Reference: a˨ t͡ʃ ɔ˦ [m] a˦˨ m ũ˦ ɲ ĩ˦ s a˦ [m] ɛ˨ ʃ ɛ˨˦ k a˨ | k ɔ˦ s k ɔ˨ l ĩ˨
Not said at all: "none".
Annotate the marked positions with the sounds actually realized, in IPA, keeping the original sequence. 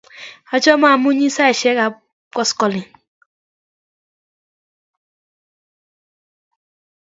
m, none

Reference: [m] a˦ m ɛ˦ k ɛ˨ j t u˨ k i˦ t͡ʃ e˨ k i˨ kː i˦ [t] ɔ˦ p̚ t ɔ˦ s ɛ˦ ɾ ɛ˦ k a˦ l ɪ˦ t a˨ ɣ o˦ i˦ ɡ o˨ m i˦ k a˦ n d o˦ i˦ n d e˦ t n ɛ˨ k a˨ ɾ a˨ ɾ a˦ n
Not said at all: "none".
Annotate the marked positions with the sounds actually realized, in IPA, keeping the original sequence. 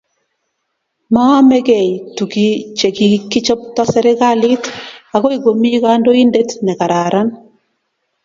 m, t͡ʃ

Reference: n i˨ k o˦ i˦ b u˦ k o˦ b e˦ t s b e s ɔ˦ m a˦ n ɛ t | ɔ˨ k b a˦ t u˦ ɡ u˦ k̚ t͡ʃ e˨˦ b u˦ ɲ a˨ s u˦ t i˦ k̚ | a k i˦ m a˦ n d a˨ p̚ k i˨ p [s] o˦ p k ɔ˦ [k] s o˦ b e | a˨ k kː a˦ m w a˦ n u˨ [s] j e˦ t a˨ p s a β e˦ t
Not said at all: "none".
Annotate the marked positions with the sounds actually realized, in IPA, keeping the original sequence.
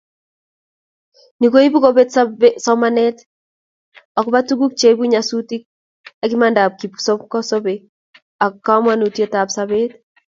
s, none, t

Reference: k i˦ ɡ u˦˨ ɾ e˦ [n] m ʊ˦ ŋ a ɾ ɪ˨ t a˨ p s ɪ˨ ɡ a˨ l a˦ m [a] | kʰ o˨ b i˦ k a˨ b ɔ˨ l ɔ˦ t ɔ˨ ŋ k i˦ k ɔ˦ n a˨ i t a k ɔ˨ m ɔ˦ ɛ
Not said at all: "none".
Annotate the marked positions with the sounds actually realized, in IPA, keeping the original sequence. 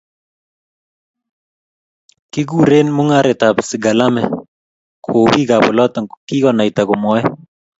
n, ɛ

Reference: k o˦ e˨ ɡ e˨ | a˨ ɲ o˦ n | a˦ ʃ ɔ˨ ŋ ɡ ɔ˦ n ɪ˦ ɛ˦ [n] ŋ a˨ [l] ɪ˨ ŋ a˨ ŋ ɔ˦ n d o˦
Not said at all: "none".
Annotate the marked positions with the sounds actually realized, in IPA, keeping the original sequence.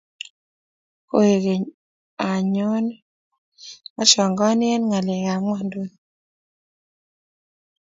n, l

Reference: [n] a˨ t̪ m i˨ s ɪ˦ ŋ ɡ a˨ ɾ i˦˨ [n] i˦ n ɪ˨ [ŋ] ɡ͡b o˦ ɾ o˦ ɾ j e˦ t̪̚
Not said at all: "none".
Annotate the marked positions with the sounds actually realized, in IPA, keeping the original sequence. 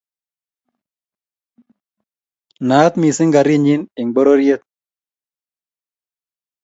n, ɲ, ŋ

